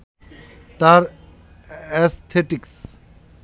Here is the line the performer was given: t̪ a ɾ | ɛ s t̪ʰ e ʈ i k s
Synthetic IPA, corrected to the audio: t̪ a ɾ | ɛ s t̪ʰ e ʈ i k s